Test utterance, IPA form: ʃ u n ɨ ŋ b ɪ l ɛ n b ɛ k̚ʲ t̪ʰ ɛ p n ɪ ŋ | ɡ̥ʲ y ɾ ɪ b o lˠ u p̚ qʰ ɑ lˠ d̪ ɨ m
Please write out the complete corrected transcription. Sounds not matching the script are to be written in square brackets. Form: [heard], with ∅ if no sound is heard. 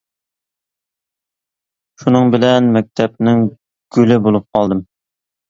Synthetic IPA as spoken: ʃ u n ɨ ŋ b ɪ l ɛ n [m] ɛ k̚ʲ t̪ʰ ɛ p n ɪ ŋ | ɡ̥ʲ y [l] ɪ b o lˠ u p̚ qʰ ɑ lˠ d̪ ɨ m